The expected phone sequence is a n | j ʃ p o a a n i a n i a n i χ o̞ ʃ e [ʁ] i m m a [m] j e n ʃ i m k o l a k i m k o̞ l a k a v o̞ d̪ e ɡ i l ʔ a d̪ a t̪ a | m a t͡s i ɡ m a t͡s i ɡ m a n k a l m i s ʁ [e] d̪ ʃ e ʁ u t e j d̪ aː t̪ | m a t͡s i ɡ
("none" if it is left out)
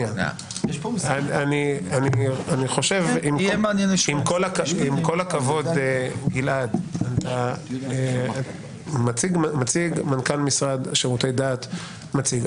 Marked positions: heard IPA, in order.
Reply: v, n, a

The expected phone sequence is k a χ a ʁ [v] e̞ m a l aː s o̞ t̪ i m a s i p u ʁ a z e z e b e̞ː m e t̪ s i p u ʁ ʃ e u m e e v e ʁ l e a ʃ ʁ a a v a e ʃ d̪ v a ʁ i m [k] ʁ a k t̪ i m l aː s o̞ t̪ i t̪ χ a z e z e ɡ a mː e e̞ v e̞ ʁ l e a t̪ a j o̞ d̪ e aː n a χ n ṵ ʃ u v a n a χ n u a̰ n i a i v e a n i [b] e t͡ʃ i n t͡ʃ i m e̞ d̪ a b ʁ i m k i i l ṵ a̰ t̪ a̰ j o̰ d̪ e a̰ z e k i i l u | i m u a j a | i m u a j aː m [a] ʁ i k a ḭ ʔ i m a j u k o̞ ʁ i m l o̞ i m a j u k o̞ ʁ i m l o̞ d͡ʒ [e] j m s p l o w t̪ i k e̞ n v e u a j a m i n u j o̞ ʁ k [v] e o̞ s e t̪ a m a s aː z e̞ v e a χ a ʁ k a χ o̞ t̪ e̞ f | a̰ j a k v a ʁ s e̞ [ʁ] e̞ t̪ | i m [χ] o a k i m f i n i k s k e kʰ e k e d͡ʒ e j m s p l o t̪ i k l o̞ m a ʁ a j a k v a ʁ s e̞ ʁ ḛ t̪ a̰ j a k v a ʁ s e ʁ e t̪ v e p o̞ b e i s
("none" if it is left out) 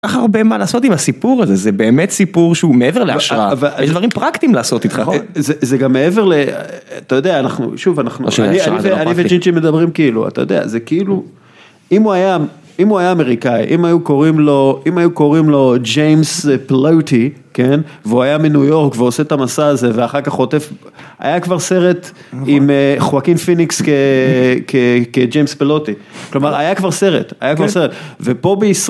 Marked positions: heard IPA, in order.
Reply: b, p, v, e, e, v, ʁ, χ

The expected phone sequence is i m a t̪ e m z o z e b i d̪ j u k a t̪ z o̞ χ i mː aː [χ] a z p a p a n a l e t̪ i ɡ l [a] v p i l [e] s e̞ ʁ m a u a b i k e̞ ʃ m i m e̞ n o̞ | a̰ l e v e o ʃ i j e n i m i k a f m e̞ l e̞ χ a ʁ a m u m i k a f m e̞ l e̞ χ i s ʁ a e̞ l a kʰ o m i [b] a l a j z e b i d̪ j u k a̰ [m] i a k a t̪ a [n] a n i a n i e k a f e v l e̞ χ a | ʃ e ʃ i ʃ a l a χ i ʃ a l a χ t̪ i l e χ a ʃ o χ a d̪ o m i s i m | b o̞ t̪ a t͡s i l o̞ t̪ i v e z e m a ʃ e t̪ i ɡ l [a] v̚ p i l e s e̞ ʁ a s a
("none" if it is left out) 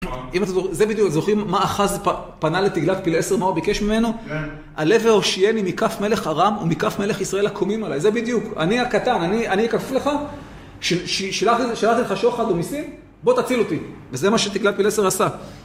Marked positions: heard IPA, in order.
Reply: χ, a, e, m, n, n, a

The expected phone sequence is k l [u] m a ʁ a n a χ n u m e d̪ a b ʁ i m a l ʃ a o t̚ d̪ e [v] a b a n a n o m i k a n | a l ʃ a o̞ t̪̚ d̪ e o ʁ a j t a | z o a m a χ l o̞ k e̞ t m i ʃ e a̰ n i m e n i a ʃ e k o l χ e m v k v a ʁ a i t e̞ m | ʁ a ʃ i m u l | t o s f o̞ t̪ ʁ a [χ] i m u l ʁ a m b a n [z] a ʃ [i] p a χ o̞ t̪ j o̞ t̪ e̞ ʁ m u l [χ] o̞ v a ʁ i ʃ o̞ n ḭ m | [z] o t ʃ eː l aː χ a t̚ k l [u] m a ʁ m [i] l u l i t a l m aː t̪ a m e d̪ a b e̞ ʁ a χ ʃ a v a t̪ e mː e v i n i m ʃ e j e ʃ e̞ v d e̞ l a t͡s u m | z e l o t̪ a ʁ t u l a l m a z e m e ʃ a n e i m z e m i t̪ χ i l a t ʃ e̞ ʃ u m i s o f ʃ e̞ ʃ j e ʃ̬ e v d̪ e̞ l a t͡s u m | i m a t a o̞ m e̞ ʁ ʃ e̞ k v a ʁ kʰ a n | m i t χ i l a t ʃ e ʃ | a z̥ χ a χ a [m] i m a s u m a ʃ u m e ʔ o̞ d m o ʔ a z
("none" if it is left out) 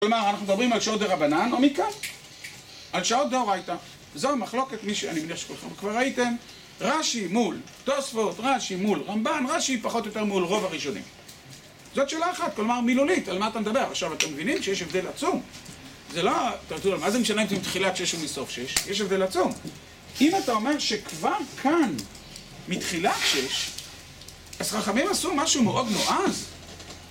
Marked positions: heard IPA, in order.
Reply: o, ʁ, ʃ, ʁ, i, ʁ, z, o, i, m

